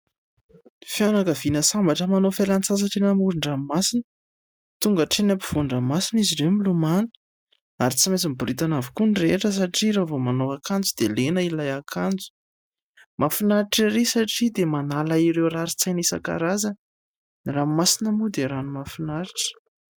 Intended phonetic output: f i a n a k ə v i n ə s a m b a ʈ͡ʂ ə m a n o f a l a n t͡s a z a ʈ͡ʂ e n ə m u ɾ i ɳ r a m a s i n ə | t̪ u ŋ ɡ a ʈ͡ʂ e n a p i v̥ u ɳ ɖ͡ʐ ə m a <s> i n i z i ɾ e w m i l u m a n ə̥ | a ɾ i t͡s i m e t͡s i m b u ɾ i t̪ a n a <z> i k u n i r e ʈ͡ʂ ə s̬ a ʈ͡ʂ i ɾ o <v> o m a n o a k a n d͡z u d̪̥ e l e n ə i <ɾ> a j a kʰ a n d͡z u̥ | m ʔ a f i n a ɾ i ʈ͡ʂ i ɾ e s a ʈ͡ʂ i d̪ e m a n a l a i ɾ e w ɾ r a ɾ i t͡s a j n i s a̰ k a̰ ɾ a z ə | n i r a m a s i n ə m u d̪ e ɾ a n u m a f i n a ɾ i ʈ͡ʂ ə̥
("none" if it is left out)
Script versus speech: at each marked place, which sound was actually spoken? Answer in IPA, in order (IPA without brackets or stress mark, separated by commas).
s, v, v, l